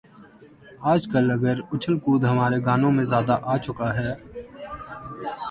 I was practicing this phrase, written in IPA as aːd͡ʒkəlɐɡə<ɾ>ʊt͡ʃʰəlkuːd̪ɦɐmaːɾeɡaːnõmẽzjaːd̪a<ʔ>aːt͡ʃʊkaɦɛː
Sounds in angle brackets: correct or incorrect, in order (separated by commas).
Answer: correct, correct